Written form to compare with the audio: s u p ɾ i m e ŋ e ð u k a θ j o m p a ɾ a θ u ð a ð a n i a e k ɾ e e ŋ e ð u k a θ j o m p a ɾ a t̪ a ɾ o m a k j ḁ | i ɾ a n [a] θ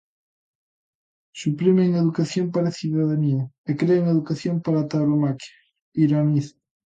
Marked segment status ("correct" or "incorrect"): incorrect